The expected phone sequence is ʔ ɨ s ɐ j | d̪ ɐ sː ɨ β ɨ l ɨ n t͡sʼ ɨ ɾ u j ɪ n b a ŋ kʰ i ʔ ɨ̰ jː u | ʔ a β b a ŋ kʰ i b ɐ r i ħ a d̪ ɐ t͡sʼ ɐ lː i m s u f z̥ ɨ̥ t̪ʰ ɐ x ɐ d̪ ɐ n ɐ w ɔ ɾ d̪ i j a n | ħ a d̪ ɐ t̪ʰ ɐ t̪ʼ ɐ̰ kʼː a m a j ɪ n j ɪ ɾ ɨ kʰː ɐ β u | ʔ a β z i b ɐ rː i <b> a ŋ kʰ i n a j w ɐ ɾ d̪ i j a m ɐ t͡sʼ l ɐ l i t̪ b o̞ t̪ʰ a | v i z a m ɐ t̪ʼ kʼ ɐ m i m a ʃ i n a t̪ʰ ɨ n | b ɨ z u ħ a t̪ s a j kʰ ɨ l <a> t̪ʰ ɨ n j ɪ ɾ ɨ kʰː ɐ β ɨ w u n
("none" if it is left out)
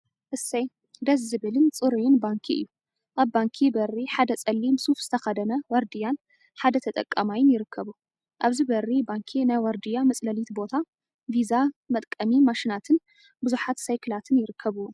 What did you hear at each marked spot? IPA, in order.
b, a

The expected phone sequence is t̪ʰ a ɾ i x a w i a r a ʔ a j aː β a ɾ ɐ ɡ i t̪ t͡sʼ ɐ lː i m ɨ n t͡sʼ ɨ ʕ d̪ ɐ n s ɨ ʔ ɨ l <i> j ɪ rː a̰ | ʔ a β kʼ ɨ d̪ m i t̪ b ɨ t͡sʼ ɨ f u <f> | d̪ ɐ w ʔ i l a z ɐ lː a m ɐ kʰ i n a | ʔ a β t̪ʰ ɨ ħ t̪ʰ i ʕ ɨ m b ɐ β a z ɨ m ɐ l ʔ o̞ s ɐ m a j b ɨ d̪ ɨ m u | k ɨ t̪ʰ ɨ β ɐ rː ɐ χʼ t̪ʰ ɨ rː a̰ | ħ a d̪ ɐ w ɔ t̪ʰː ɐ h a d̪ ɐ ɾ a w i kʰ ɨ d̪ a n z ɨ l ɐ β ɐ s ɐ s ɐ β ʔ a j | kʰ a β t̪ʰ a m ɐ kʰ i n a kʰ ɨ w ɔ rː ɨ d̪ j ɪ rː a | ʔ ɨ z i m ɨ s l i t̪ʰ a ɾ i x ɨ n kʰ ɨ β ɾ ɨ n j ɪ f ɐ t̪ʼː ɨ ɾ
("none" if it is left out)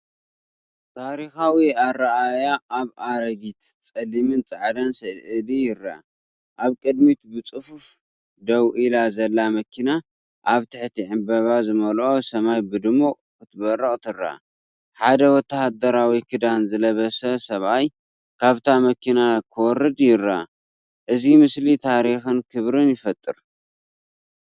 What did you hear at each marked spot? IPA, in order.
i, f

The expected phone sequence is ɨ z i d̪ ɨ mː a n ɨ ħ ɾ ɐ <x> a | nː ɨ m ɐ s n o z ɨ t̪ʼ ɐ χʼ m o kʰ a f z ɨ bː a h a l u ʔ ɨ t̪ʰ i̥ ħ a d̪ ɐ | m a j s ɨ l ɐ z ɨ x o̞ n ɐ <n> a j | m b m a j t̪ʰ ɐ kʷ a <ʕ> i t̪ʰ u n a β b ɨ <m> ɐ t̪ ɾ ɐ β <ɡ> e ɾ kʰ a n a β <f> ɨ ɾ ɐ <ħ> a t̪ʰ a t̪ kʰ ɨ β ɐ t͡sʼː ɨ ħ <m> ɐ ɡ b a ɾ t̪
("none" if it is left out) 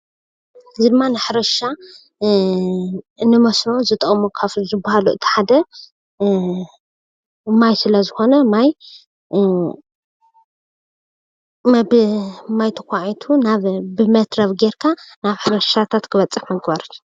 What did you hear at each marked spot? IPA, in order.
ʃ, m, ʕ, m, ɡ, ħ, ʃ, m

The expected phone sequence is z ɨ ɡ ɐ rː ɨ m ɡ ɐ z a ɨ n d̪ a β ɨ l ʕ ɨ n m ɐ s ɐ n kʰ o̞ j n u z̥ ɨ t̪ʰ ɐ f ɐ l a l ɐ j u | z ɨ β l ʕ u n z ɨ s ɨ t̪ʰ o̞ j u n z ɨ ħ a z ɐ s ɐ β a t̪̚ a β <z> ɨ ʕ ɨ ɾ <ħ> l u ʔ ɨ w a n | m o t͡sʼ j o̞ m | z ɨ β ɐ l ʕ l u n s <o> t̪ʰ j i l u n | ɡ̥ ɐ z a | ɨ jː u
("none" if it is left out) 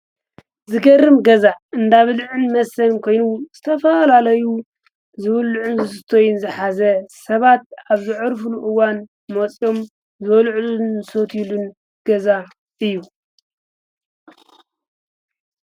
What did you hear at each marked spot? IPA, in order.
z, f, o

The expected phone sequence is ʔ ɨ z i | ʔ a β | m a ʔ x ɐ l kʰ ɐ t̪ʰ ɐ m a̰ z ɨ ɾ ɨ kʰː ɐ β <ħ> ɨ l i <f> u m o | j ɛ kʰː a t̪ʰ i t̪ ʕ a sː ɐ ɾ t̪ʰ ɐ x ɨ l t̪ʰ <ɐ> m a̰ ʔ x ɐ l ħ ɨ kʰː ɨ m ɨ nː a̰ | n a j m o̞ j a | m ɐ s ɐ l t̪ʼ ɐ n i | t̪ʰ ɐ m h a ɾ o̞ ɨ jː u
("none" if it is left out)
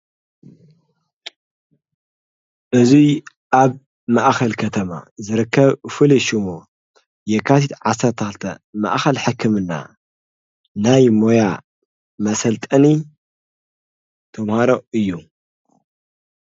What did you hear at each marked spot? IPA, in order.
f, ʃ, ɐ

